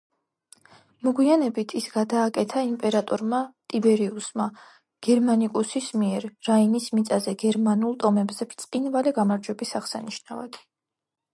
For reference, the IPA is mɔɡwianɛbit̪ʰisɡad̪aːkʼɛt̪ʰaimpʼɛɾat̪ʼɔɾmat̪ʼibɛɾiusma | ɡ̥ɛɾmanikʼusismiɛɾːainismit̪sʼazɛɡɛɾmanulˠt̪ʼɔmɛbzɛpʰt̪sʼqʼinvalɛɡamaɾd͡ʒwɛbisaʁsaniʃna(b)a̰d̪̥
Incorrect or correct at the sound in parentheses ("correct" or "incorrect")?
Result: incorrect